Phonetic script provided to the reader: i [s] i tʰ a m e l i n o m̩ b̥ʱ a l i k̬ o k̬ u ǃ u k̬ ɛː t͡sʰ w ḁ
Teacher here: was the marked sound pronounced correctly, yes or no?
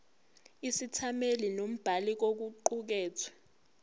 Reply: yes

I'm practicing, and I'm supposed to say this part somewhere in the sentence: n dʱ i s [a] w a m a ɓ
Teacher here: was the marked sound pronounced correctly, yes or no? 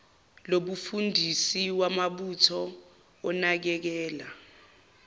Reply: no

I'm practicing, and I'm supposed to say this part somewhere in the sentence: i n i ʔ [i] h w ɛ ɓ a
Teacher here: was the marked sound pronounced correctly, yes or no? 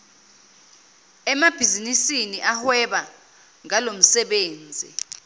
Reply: no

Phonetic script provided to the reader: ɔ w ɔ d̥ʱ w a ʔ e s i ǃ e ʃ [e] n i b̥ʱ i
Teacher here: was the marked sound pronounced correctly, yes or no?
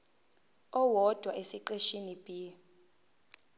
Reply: no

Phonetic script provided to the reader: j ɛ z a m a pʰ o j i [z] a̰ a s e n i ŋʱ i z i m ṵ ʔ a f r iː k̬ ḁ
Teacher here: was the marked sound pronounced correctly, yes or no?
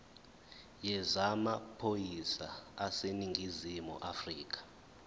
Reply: no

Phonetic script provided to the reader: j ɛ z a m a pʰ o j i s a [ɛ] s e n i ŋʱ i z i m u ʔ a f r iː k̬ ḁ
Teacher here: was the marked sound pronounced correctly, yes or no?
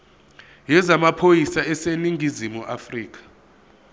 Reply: yes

